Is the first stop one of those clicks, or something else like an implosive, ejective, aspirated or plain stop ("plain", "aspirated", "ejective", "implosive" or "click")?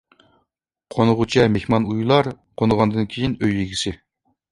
aspirated